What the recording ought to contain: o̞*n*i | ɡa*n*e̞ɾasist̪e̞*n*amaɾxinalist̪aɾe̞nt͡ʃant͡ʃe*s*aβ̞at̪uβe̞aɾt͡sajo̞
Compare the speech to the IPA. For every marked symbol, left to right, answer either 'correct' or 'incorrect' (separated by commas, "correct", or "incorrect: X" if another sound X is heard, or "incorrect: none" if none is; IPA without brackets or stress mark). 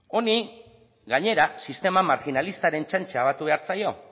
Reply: correct, incorrect: ɲ, incorrect: m, incorrect: none